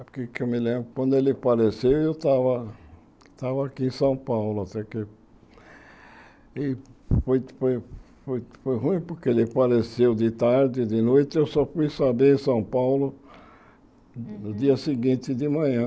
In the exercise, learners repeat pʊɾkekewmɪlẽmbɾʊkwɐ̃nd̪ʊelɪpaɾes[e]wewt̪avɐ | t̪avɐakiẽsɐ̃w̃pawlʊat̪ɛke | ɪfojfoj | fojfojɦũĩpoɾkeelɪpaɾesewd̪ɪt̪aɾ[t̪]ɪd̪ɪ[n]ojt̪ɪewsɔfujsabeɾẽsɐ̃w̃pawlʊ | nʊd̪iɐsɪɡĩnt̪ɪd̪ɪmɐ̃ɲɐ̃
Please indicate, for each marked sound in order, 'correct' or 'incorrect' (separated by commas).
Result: correct, incorrect, correct